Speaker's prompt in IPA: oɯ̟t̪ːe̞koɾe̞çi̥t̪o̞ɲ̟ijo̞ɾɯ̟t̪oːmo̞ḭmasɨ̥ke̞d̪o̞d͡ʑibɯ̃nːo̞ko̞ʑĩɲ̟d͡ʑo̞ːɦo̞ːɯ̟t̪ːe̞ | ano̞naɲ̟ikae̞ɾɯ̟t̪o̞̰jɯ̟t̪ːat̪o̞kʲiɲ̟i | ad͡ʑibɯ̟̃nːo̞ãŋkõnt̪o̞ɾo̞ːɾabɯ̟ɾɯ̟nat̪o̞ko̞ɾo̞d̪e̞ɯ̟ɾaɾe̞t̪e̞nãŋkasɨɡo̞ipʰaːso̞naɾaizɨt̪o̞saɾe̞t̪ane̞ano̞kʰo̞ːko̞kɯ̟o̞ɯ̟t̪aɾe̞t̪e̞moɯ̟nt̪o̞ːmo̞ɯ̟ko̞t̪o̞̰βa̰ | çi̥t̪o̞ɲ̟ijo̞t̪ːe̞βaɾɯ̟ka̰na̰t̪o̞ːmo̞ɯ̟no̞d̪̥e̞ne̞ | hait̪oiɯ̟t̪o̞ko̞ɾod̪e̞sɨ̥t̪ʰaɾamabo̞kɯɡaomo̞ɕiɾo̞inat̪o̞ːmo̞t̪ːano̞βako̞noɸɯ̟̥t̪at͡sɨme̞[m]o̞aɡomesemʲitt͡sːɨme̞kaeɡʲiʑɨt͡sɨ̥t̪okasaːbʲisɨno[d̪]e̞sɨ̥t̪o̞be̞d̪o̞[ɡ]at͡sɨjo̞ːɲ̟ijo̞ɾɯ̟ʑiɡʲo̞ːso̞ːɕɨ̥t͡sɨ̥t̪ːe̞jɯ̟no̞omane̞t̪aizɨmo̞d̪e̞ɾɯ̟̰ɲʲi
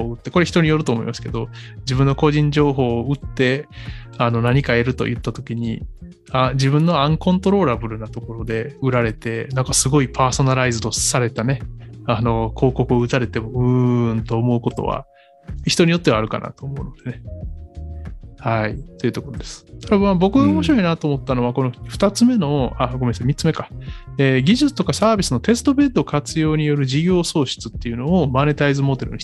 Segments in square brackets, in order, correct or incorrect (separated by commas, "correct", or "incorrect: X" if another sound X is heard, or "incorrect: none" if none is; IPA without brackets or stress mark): incorrect: n, incorrect: t̪, incorrect: k